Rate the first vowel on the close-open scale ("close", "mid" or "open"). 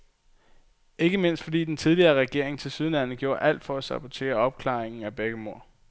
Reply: mid